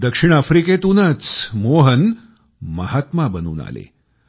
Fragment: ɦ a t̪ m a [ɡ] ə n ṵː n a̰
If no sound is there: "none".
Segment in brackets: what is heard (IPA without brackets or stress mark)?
b